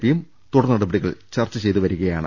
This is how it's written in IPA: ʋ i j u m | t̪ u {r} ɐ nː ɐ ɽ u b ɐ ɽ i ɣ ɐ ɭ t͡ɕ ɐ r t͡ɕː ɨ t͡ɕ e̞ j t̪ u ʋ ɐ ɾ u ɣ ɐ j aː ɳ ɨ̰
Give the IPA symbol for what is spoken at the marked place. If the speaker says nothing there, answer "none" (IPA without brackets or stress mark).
ɽ